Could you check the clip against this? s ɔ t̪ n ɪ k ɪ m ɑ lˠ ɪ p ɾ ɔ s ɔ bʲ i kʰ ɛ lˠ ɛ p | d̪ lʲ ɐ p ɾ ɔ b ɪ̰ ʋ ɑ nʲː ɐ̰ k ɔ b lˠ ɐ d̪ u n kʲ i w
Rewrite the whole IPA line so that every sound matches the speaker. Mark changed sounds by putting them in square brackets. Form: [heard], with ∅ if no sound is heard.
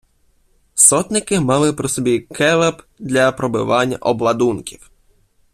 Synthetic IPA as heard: s ɔ t̪ n ɪ k ɪ m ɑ lˠ ɪ p ɾ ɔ s ɔ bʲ i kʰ ɛ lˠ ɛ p | d̪ lʲ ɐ p ɾ ɔ b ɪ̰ ʋ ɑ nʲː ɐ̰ [ʔ] ɔ b lˠ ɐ d̪ u n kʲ i w